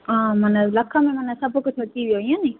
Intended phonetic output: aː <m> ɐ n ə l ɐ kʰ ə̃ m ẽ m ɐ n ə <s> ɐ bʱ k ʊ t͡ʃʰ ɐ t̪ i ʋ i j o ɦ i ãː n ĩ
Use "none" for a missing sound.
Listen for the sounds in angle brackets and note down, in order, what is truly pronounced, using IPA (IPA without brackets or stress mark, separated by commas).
m, s